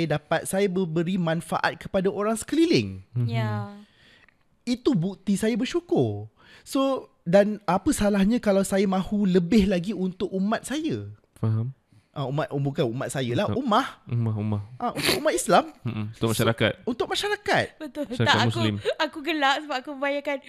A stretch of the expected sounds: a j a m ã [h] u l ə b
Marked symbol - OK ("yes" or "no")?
yes